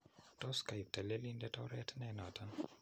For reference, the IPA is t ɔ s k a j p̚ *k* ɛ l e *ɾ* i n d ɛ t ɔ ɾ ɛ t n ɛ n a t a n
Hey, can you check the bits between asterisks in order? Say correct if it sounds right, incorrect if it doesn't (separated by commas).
incorrect, incorrect